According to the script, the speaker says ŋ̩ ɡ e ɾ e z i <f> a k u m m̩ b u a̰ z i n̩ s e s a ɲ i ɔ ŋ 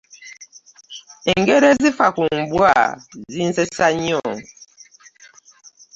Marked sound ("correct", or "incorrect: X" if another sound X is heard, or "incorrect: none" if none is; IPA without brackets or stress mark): correct